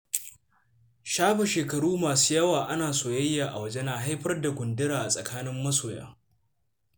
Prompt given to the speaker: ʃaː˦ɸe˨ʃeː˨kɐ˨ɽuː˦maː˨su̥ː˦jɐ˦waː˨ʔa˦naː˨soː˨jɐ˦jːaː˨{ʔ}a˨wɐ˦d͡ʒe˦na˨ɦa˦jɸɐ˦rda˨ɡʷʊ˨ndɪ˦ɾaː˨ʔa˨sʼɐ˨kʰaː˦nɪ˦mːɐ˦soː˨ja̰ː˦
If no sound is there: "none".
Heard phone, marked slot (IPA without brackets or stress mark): ʔ